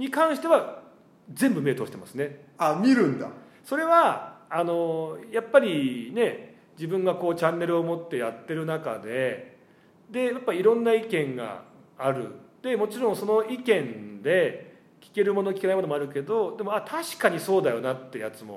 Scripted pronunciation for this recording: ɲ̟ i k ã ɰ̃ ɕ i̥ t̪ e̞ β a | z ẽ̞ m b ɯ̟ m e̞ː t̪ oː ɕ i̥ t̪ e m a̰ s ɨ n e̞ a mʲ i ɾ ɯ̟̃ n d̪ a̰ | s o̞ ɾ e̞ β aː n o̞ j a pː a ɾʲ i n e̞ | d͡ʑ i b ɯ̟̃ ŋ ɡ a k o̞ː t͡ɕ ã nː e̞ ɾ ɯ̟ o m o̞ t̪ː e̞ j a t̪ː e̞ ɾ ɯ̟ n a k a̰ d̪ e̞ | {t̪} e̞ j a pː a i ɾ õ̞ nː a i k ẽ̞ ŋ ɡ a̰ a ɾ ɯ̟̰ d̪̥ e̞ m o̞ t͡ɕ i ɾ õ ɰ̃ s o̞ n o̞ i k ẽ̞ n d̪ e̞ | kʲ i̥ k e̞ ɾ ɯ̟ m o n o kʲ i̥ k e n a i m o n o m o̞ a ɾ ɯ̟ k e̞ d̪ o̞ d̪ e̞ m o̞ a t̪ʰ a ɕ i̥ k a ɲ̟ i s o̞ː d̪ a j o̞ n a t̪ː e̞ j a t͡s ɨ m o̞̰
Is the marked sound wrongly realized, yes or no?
yes